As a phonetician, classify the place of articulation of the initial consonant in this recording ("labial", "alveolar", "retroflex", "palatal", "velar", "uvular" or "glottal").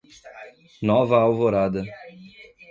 alveolar